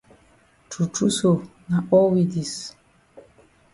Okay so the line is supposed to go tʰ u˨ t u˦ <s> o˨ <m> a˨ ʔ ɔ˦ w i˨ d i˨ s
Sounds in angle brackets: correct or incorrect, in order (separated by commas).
correct, incorrect